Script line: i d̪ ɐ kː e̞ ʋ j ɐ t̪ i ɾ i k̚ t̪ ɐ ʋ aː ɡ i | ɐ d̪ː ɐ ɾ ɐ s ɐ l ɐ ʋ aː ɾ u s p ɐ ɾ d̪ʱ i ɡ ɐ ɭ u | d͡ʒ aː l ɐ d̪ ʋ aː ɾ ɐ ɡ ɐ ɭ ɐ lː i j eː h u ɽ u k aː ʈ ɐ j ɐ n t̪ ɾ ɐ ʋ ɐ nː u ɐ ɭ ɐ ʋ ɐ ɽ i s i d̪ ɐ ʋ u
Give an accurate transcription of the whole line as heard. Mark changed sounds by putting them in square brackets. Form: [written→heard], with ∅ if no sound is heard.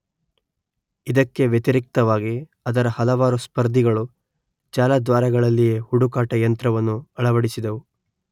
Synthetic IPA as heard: i d̪ ɐ kː e̞ ʋ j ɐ t̪ i ɾ i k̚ t̪ ɐ ʋ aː ɡ i | ɐ [d̪ː→d̪] ɐ ɾ ɐ [s→h] ɐ l ɐ ʋ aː ɾ u s p ɐ ɾ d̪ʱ i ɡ ɐ ɭ u | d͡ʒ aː l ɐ d̪ ʋ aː ɾ ɐ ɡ ɐ ɭ ɐ lː i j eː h u ɽ u k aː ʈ ɐ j ɐ n t̪ ɾ ɐ ʋ ɐ nː u ɐ ɭ ɐ ʋ ɐ ɽ i s i d̪ ɐ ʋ u